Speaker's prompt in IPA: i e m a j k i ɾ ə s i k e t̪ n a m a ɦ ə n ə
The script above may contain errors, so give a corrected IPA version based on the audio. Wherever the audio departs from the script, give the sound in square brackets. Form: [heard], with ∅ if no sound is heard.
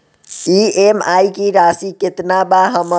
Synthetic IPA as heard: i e m a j k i ɾ [a] s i k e t̪ n a [b] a ɦ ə [m] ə